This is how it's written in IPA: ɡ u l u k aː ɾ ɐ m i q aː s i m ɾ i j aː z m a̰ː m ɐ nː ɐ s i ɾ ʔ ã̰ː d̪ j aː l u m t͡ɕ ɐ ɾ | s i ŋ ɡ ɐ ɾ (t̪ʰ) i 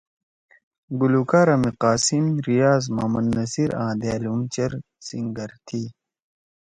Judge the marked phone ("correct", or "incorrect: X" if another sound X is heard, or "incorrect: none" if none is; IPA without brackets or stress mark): correct